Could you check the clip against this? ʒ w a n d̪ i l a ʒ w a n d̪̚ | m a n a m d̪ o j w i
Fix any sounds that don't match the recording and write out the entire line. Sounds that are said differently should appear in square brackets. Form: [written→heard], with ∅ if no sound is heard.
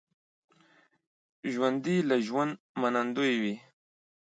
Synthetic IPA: ʒ w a n d̪ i l a ʒ w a n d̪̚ | m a n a [m→n] d̪ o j w i